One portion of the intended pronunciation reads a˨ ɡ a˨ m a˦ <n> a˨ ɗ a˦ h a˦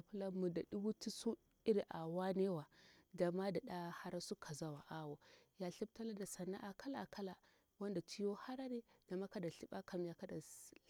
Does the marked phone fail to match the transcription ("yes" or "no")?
yes